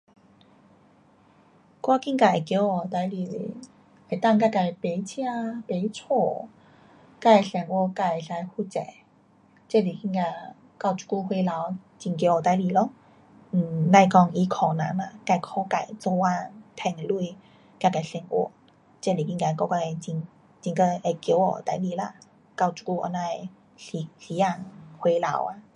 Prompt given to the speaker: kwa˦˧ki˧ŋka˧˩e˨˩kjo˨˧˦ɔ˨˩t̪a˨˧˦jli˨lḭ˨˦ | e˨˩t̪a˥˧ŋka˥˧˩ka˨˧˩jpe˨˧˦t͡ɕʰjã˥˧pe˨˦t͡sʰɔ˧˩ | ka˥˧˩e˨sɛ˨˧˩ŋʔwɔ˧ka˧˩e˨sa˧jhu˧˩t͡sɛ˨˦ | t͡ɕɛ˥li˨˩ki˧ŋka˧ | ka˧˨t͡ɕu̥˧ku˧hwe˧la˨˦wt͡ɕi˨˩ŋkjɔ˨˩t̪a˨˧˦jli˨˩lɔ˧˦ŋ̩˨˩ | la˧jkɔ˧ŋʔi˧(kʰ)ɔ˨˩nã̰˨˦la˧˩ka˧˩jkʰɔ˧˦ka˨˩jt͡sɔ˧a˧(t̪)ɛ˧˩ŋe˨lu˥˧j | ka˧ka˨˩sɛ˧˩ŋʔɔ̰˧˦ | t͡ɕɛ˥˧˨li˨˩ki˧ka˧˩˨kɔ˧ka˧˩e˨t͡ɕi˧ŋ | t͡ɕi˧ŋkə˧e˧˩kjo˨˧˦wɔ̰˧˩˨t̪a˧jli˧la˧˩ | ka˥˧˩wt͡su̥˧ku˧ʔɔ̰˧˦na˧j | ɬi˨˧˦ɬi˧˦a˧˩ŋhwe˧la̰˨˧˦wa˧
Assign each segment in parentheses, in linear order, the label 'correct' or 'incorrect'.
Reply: correct, incorrect

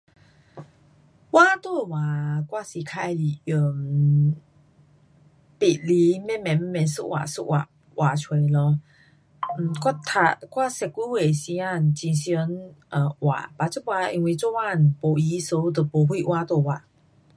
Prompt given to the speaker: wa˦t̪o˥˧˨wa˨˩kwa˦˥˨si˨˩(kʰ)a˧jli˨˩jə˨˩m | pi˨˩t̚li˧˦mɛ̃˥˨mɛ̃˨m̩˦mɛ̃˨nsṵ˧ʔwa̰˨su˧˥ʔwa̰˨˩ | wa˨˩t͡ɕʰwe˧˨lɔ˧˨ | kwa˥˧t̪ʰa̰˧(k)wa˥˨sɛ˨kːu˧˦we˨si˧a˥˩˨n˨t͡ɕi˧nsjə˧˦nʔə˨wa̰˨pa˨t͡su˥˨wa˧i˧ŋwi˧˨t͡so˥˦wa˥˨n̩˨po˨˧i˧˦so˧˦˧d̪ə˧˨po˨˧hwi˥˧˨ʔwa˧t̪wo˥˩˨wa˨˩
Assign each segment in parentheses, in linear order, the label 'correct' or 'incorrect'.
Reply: correct, correct

